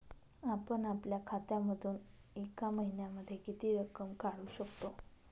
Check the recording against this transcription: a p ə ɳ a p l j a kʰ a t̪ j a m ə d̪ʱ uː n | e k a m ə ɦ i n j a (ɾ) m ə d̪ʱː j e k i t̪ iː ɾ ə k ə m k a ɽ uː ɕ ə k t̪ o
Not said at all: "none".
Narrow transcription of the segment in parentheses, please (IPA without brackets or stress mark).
none